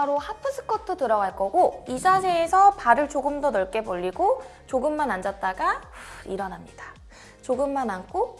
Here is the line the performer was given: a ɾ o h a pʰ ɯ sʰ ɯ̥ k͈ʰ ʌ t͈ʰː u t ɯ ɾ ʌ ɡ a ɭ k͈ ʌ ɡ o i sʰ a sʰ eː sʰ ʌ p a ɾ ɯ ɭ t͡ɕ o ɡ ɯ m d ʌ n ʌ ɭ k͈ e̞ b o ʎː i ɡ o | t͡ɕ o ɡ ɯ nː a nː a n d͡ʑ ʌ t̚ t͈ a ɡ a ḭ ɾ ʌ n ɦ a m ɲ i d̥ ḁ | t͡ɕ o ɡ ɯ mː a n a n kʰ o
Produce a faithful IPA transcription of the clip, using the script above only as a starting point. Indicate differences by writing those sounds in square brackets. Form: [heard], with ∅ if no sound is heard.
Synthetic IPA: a ɾ o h a pʰ ɯ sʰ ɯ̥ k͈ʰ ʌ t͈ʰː [o] t ɯ ɾ ʌ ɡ a ɭ k͈ ʌ ɡ o i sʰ a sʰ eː sʰ ʌ p a ɾ ɯ ɭ t͡ɕ o ɡ ɯ m d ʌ n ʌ ɭ k͈ e̞ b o ʎː i ɡ o | t͡ɕ o ɡ ɯ [mː] a [n] a n d͡ʑ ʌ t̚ t͈ a ɡ a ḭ ɾ ʌ n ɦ a m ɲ i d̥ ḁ | t͡ɕ o ɡ ɯ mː a n a n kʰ o